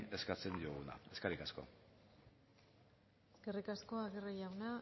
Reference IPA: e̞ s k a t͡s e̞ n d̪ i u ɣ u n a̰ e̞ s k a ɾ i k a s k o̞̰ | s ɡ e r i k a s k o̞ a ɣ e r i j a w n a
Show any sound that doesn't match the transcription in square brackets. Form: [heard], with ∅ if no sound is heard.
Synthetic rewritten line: e̞ s k a t͡s e̞ n d̪ i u ɣ u n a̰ e̞ s k a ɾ i k a s k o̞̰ | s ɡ e r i k a s k o̞ a ɣ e r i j a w n a